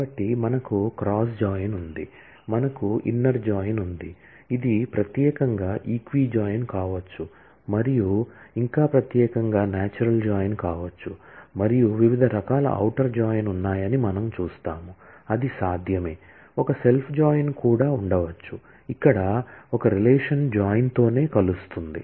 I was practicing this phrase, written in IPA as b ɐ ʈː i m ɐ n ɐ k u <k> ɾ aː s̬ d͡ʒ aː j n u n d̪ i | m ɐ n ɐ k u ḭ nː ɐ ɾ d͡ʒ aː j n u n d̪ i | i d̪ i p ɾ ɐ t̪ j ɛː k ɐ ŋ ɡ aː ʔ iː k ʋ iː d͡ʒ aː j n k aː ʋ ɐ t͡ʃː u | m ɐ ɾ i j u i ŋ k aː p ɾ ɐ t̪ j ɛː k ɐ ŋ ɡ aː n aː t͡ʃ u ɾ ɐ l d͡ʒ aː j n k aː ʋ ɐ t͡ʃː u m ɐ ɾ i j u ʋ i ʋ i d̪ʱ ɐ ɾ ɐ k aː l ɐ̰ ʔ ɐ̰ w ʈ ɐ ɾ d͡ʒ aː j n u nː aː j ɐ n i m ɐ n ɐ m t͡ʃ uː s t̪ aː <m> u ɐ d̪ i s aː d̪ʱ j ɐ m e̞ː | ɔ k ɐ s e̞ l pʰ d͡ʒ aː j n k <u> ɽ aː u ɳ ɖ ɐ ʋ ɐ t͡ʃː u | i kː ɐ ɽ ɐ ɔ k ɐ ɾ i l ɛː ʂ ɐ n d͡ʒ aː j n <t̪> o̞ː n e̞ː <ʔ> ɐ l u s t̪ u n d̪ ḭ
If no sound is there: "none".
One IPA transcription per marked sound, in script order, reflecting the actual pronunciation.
k, m, uː, t̪, k

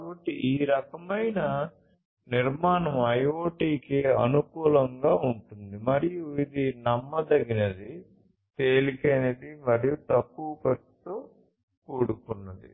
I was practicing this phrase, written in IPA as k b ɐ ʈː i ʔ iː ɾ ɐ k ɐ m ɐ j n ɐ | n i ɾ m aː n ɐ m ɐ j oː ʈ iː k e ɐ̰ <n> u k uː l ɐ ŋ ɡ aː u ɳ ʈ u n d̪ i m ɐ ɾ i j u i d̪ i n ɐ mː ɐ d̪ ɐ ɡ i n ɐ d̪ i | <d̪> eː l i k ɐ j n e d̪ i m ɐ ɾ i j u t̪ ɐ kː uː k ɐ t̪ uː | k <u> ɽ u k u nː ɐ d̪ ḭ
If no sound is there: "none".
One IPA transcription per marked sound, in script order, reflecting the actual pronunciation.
n, t̪, uː

